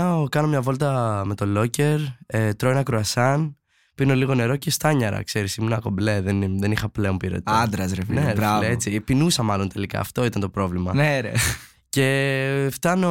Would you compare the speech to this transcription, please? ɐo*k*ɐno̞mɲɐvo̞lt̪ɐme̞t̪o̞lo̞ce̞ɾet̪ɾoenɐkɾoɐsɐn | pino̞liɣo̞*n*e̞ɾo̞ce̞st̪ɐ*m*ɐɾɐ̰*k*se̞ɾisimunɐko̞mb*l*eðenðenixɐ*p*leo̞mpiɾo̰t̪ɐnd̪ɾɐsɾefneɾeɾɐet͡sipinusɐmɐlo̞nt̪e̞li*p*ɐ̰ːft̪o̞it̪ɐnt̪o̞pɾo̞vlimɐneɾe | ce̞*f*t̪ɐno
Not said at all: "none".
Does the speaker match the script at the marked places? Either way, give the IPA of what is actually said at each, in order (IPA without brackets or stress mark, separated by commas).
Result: k, n, ɲ, k, l, p, k, f